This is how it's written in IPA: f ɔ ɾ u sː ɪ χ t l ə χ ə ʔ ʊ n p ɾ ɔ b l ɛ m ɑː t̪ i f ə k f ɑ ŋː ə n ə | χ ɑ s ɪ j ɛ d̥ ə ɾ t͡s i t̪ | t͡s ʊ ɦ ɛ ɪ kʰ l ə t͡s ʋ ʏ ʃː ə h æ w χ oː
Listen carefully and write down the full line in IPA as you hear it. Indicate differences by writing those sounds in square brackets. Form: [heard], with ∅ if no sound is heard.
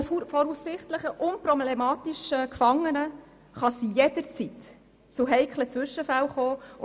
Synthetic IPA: f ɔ ɾ u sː ɪ χ t l ə χ ə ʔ ʊ n p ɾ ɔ b l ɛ m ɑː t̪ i [ʃ] ə k f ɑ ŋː ə n ə | χ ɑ s [i] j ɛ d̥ ə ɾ t͡s i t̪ | t͡s ʊ ɦ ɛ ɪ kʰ l ə t͡s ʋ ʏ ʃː ə [f] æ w χ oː

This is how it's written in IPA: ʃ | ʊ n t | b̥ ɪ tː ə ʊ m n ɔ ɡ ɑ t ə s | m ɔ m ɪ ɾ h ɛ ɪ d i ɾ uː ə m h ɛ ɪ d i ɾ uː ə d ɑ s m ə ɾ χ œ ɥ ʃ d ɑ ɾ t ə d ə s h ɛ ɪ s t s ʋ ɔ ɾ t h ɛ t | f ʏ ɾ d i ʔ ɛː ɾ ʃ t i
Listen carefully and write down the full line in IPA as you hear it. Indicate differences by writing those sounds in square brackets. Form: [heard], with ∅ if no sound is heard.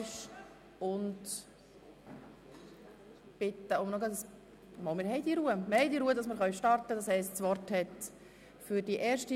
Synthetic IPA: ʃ | ʊ n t | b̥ ɪ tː ə ʊ m n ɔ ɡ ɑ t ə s | m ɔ m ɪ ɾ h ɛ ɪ d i ɾ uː ə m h ɛ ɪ d i ɾ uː ə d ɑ s m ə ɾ χ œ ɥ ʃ [t] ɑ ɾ t ə d [ɑ] s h ɛ ɪ s t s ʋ ɔ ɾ t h ɛ t | f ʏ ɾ d i ʔ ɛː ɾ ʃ t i

